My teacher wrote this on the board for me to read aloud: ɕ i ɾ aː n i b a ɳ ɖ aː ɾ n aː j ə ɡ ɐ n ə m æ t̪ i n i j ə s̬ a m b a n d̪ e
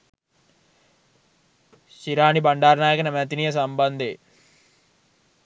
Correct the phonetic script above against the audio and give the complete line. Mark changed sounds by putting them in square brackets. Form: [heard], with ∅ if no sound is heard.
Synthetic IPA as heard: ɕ i ɾ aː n i b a ɳ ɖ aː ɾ n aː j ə [k] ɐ n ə m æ t̪ i n i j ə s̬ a m b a n d̪ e